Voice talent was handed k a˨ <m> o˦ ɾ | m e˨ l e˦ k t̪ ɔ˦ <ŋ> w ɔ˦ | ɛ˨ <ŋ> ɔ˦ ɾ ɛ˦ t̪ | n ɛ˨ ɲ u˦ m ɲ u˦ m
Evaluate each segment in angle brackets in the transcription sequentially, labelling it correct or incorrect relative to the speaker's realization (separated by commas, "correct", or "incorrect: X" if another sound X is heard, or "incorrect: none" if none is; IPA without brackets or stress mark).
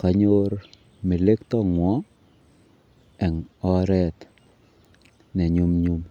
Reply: incorrect: ɲ, correct, correct